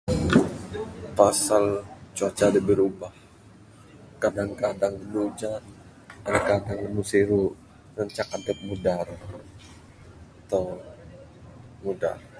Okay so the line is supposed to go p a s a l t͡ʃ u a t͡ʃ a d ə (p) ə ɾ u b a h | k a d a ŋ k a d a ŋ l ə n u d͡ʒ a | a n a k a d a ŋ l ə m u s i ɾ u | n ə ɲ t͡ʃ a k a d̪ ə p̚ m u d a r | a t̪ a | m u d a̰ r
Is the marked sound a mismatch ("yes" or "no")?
yes